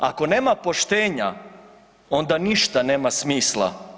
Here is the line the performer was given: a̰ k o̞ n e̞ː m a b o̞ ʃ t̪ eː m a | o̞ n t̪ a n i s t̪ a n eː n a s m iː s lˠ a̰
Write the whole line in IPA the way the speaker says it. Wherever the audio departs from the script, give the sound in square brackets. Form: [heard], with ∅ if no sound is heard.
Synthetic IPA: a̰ k o̞ n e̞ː m a [p] o̞ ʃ t̪ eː [ɲ] a | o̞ n [d̪] a n i [ʃ] t̪ a n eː [m] a s m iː s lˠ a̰